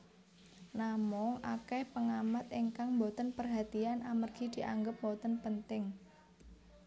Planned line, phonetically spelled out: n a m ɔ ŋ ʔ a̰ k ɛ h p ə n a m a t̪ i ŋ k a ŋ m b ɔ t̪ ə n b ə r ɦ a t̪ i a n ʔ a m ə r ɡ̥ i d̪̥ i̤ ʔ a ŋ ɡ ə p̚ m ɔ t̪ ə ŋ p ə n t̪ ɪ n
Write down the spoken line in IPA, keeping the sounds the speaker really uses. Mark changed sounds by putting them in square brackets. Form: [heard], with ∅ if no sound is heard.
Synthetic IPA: n a m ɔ ŋ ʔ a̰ k ɛ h p ə [ŋ] a m a t̪ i ŋ k a ŋ m b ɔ t̪ ə n [p] ə r ɦ a t̪ i a n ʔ a m ə r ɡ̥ i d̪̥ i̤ ʔ a ŋ ɡ ə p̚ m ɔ t̪ ə [n] p ə n t̪ ɪ [ŋ]